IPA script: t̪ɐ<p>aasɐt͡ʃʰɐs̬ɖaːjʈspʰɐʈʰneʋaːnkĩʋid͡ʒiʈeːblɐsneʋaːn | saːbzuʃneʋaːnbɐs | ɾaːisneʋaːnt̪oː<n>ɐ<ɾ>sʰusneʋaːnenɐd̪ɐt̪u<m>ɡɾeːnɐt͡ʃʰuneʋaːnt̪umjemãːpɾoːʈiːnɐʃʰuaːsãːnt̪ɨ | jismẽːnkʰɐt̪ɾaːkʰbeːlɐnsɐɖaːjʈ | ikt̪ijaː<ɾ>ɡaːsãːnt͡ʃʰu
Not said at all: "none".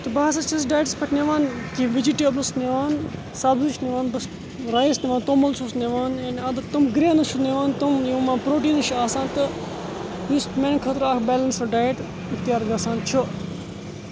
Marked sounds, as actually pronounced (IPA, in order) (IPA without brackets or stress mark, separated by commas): b, m, l, m, ɾ